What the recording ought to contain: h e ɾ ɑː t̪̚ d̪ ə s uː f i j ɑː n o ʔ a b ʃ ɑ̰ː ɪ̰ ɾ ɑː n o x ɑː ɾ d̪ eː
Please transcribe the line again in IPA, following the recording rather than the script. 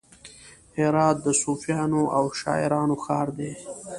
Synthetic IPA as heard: h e ɾ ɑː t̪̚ d̪ ə s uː f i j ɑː n o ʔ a w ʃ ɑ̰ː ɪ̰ ɾ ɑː n o x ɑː ɾ d̪ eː